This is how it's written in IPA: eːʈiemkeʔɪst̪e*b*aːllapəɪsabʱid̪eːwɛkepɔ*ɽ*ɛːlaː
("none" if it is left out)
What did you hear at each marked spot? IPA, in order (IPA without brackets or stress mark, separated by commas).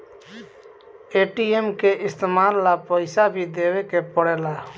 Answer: m, ɽ